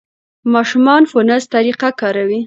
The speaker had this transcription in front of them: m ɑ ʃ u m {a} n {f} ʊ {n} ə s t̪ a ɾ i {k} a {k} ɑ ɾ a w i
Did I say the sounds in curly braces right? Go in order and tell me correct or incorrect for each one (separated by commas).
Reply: incorrect, correct, correct, incorrect, correct